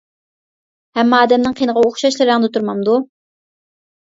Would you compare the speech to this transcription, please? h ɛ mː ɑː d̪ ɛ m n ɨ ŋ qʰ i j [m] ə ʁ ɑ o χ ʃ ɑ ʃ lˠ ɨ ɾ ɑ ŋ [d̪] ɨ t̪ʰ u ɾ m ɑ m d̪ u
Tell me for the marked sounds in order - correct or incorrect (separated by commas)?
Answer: incorrect, correct